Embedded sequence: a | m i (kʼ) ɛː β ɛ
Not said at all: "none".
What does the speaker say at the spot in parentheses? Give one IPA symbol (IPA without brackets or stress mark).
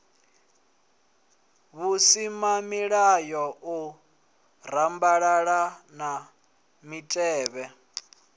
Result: tʼ